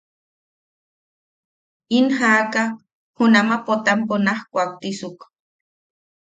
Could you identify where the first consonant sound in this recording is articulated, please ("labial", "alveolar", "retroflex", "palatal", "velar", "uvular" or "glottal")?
alveolar